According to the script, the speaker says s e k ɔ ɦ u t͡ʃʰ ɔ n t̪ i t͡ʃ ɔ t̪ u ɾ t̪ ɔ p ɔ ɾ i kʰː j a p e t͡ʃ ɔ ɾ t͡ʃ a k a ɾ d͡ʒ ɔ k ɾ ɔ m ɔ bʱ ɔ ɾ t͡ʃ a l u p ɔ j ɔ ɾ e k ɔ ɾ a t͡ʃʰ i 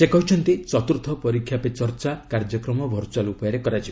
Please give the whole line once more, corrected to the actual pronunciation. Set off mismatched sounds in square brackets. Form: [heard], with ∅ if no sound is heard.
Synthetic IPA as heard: s e k ɔ ɦ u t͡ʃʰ ɔ n t̪ i t͡ʃ ɔ t̪ u ɾ [t̪ʰ] ɔ p ɔ ɾ i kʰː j a p e t͡ʃ ɔ ɾ t͡ʃ a k a ɾ d͡ʒ ɔ k ɾ ɔ m ɔ bʱ ɔ ɾ t͡ʃ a l u p ɔ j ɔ ɾ e k ɔ ɾ a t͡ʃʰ i

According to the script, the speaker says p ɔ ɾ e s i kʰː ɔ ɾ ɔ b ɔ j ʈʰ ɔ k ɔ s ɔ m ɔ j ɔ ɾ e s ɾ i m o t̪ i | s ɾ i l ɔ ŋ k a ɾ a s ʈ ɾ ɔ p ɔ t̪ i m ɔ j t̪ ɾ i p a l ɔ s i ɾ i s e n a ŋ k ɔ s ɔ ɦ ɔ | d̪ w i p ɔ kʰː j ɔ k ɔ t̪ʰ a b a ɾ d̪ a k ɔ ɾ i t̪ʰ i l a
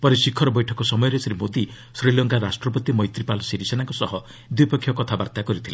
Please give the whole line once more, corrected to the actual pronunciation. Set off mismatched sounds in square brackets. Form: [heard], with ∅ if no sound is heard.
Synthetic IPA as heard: p ɔ ɾ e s i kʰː ɔ ɾ ɔ b ɔ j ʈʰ ɔ k ɔ s ɔ m ɔ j ɔ ɾ e s ɾ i m o [d̪] i | s ɾ i l ɔ ŋ k a ɾ a s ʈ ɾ ɔ p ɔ t̪ i m ɔ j t̪ ɾ i p a l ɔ s i ɾ i s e n a ŋ k ɔ s ɔ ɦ ɔ | d̪ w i p ɔ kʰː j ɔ k ɔ t̪ʰ a b a ɾ [t̪] a k ɔ ɾ i t̪ʰ i l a

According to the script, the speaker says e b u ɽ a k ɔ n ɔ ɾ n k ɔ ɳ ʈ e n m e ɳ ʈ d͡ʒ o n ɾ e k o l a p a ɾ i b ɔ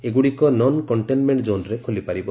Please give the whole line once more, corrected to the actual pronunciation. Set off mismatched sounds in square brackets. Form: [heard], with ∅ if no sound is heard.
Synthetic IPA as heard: e [ɡ] u ɽ [i] k ɔ n ɔ [∅] n k ɔ ɳ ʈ e n m e ɳ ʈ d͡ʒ o n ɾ e [kʰ] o l [i] p a ɾ i b ɔ

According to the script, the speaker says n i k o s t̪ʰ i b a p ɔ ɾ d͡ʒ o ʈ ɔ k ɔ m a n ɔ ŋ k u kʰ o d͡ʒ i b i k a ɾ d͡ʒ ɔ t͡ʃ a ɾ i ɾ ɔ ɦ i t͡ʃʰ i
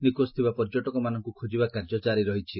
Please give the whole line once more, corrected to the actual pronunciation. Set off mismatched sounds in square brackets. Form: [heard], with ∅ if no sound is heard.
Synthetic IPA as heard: n i k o s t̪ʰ i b a p ɔ ɾ d͡ʒ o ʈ ɔ k ɔ m a n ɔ ŋ k u kʰ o d͡ʒ i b [a] k a ɾ d͡ʒ ɔ t͡ʃ a ɾ i ɾ ɔ ɦ i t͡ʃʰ i

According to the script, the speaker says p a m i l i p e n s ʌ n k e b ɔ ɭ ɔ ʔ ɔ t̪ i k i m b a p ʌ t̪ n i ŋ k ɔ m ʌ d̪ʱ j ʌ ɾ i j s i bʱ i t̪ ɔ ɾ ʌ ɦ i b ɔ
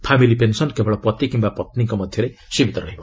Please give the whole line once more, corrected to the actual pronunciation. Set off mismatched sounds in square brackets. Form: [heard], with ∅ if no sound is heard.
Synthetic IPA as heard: [pʰ] a m i l i p e n s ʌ n k e b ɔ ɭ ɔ [p] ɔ t̪ i k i m b a p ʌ t̪ n i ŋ k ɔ m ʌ d̪ʱ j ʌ ɾ [e] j s i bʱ i t̪ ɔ ɾ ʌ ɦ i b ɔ

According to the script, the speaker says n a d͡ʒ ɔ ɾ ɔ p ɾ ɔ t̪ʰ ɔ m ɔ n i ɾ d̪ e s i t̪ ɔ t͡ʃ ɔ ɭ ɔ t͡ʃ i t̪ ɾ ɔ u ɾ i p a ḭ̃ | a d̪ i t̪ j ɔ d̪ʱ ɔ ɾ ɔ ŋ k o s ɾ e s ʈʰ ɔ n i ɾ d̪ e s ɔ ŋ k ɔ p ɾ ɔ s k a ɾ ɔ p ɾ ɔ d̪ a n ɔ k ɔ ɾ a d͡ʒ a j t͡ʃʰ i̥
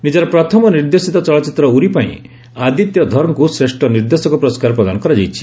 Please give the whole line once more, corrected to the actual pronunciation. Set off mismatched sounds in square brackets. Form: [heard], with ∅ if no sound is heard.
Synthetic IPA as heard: n [i] d͡ʒ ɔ ɾ ɔ p ɾ ɔ t̪ʰ ɔ m ɔ n i ɾ d̪ e s i t̪ ɔ t͡ʃ ɔ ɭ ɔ t͡ʃ i t̪ ɾ ɔ u ɾ i p a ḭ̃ | a d̪ i t̪ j ɔ d̪ʱ ɔ ɾ ɔ ŋ k [u] s ɾ e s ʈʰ ɔ n i ɾ d̪ e s ɔ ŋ k ɔ p ɾ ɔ s k a ɾ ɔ p ɾ ɔ d̪ a n ɔ k ɔ ɾ a d͡ʒ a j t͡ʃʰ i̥

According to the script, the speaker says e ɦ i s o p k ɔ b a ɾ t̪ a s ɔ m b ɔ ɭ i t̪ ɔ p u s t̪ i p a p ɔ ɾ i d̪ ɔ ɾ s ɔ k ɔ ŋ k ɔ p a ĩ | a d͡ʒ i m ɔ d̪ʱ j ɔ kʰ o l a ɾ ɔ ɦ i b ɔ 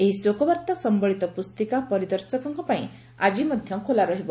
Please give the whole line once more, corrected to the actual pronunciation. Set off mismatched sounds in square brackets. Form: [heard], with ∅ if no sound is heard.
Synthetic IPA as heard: e ɦ i s o [∅] k ɔ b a ɾ t̪ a s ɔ m b ɔ ɭ i t̪ ɔ p u s t̪ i [k] a p ɔ ɾ i d̪ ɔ ɾ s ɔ k ɔ ŋ k ɔ p a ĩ | a d͡ʒ i m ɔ d̪ʱ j ɔ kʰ o l a ɾ ɔ ɦ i b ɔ

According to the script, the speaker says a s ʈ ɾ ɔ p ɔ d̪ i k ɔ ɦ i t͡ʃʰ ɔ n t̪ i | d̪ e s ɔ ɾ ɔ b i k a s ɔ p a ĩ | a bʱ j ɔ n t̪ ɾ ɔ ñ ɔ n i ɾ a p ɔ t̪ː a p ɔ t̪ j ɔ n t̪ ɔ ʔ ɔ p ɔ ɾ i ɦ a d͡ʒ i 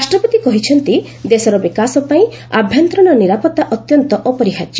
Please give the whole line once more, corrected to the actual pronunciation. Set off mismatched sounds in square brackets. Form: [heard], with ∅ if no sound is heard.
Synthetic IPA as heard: a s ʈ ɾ ɔ p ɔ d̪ i k ɔ ɦ i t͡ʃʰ ɔ n t̪ i | d̪ e s ɔ ɾ ɔ b i k a s ɔ p a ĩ | a bʱ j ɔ n t̪ ɾ ɔ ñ ɔ n i ɾ a p ɔ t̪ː a [ʔ] ɔ t̪ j ɔ n t̪ ɔ ʔ ɔ p ɔ ɾ i ɦ a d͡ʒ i

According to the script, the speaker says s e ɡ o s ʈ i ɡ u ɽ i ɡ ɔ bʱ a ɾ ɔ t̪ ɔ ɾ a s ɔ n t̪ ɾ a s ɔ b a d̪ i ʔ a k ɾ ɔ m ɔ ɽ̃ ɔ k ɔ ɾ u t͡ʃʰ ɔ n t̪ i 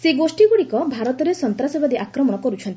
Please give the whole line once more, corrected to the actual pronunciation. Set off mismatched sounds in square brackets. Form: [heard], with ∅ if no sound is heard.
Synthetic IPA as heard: s e ɡ o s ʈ i ɡ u ɽ i [k] ɔ bʱ a ɾ ɔ t̪ ɔ ɾ [e] s ɔ n t̪ ɾ a s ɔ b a d̪ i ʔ a k ɾ ɔ m ɔ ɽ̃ ɔ k ɔ ɾ u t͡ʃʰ ɔ n t̪ i

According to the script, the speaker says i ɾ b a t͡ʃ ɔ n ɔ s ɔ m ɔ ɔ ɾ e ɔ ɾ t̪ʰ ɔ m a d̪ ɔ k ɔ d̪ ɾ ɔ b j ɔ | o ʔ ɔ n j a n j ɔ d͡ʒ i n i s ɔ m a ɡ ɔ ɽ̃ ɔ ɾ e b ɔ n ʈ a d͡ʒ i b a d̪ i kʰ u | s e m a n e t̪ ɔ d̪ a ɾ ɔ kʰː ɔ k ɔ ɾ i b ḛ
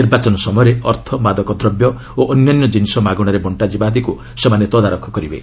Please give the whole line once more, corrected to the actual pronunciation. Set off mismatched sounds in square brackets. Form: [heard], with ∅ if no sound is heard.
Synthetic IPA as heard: i ɾ b a t͡ʃ ɔ n ɔ s ɔ m ɔ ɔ ɾ e ɔ ɾ t̪ʰ ɔ m a d̪ ɔ k ɔ d̪ ɾ ɔ b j ɔ | o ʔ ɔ n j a n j ɔ d͡ʒ i n i s ɔ m a ɡ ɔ ɽ̃ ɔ ɾ e b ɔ [ɳ] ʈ a d͡ʒ i b a d̪ i [k] u | s e m a n e t̪ ɔ d̪ a ɾ ɔ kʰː ɔ k ɔ ɾ i b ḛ

